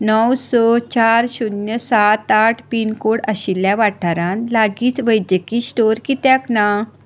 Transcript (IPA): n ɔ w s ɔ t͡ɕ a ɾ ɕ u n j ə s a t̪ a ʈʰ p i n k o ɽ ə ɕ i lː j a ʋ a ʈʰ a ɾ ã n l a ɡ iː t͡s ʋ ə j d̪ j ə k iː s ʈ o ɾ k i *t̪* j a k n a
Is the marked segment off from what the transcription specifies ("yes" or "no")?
no